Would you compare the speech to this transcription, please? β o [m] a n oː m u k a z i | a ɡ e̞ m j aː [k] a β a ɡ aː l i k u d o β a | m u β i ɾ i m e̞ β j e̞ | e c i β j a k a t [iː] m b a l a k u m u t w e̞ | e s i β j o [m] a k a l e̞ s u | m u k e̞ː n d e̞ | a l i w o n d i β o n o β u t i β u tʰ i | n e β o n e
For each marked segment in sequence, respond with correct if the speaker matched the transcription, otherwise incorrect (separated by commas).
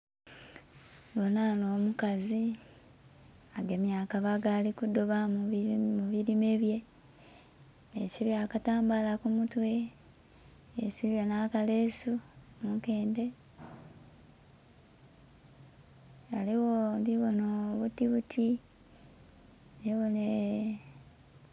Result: incorrect, correct, incorrect, incorrect